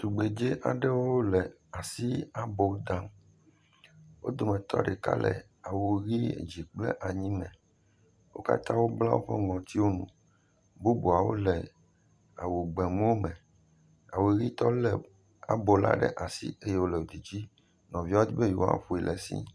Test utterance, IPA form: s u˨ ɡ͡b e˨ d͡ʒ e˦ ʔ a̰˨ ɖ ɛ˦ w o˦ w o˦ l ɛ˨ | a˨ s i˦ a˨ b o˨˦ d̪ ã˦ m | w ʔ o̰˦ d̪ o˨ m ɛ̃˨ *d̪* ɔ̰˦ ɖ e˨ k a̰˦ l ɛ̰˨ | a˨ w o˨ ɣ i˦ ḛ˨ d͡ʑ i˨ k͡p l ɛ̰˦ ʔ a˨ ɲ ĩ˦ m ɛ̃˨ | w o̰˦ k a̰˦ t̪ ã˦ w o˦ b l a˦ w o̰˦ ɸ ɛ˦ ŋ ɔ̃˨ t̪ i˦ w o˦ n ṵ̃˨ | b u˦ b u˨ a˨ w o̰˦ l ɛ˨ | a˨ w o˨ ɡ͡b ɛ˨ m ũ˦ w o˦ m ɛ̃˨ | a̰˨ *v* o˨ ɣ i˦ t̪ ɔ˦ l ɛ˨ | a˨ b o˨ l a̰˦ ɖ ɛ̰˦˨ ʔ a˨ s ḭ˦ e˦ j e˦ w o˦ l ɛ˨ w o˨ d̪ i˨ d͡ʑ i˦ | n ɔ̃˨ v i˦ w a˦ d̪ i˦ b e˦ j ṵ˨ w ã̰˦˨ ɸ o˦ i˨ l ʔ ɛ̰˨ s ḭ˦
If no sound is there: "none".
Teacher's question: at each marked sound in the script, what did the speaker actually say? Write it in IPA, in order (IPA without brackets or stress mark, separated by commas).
t̪, w